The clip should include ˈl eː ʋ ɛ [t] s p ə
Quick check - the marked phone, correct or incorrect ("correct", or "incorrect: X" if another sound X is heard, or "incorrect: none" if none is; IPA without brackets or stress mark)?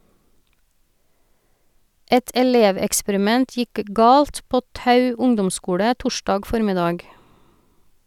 incorrect: k